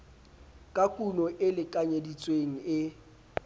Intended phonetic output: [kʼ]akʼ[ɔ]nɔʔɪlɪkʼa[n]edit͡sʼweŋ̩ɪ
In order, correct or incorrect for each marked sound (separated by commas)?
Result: correct, incorrect, incorrect